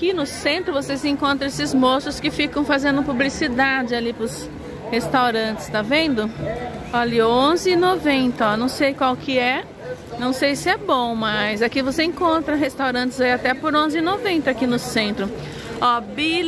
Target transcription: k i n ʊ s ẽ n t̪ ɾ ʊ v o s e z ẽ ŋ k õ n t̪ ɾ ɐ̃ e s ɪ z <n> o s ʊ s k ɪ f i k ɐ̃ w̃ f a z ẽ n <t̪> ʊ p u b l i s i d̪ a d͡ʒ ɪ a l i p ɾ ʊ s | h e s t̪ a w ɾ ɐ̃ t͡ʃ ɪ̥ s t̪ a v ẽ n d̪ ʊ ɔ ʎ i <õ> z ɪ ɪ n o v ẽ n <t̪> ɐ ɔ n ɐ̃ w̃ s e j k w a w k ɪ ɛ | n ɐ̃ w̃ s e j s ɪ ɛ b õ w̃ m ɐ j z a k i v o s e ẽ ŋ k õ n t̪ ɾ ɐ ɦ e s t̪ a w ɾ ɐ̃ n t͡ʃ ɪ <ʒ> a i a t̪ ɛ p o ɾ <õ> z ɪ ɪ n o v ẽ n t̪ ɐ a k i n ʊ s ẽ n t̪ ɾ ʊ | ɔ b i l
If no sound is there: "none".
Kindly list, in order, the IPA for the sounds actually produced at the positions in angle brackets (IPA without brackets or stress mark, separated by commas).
m, d̪, õ, t̪, z, õ